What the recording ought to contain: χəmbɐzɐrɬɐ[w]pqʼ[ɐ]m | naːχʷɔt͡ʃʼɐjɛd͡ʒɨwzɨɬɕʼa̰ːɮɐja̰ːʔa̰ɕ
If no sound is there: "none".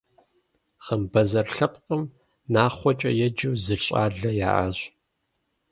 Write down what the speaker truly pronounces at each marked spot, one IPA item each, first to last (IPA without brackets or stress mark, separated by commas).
none, ə